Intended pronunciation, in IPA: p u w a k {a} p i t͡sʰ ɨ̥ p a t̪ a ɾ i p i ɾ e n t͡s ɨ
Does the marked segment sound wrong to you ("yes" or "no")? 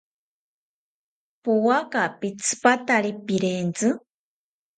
no